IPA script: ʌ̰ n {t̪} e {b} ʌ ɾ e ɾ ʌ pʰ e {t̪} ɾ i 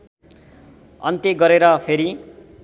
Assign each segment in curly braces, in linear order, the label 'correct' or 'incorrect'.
correct, incorrect: ɡ, incorrect: none

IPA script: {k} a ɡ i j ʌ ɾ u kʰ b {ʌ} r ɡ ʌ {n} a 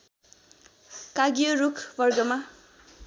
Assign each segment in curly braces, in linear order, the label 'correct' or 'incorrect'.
correct, correct, incorrect: m

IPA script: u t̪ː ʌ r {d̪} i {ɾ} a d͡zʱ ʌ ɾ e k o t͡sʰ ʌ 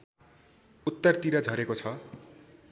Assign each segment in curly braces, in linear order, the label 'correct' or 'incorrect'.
incorrect: t̪, correct

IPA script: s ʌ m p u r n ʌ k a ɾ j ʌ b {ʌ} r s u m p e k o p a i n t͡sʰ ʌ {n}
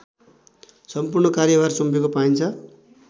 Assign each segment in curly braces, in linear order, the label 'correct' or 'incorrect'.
incorrect: a, incorrect: none

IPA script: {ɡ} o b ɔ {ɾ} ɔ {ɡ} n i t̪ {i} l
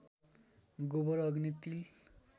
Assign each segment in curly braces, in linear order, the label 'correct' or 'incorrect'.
correct, correct, correct, correct

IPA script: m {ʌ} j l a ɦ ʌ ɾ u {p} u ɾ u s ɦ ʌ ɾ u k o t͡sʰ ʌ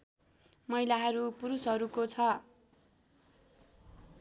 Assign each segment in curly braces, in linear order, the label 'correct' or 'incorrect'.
correct, correct

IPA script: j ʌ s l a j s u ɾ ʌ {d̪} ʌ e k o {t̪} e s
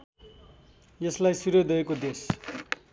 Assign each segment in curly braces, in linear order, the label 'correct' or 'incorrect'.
correct, incorrect: d̪

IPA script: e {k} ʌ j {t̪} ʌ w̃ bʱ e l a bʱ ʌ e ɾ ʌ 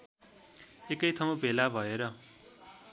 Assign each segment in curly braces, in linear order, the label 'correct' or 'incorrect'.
correct, incorrect: t̪ʰ

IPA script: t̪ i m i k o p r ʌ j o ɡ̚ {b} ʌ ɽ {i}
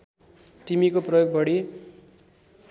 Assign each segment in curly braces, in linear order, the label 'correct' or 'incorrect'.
correct, correct

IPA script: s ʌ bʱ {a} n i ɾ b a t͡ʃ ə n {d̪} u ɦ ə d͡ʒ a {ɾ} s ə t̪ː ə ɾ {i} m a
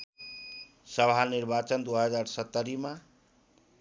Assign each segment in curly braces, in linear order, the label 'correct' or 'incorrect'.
correct, correct, correct, correct

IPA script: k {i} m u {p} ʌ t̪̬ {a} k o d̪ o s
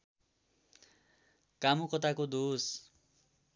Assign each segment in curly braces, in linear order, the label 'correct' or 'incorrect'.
incorrect: a, incorrect: k, correct

